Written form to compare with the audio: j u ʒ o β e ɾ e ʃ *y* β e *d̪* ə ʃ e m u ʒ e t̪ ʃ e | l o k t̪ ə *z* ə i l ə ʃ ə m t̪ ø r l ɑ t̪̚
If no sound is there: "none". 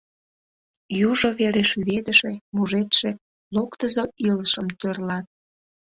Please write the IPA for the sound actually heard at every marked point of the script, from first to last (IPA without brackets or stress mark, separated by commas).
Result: y, d̪, z